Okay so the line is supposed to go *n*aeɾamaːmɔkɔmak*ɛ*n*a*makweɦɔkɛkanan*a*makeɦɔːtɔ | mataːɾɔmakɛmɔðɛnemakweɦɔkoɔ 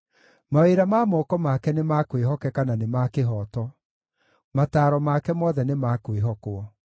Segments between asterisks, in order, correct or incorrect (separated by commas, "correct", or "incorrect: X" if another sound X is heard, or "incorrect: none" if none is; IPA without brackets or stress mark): incorrect: m, correct, incorrect: e, incorrect: e